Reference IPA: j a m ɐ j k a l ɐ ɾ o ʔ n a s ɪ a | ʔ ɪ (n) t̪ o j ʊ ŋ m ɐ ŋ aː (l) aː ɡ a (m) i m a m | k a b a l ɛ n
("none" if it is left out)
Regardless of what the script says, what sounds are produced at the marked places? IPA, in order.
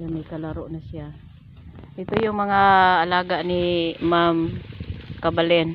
none, l, n

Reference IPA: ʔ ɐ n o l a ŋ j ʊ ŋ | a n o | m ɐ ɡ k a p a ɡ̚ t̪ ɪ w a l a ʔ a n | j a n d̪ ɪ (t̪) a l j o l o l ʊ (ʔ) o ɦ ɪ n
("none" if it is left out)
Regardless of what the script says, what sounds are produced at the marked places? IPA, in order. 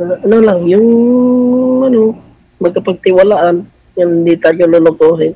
t̪, k

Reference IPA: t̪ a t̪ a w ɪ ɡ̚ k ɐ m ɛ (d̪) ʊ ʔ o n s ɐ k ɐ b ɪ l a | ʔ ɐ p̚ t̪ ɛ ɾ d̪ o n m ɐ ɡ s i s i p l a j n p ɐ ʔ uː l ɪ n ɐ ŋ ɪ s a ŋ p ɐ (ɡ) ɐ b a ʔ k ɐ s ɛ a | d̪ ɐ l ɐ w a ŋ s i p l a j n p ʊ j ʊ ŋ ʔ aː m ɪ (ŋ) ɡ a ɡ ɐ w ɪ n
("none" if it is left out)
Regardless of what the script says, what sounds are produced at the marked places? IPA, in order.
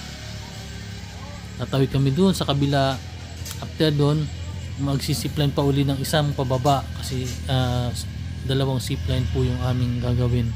d̪, b, ŋ

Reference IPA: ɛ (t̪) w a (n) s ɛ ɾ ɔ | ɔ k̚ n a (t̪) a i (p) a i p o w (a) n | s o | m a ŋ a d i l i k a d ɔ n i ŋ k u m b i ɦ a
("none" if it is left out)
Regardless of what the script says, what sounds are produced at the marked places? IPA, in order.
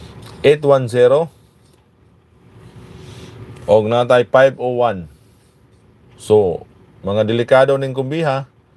t̪, n, t̪, p, a

